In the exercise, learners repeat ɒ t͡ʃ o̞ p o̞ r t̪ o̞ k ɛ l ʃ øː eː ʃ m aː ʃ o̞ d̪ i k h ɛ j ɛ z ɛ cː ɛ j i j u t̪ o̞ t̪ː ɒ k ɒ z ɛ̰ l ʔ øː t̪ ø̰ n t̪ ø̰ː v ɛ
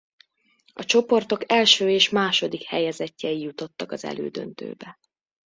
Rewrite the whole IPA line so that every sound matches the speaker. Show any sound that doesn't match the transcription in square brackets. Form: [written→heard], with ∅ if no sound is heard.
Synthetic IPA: ɒ t͡ʃ o̞ p o̞ r t̪ o̞ k ɛ l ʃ øː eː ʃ m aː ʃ o̞ d̪ i k h ɛ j ɛ z ɛ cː ɛ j i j u t̪ o̞ t̪ː ɒ k ɒ z ɛ̰ l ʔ øː [t̪→d̪] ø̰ n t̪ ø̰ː [v→b] ɛ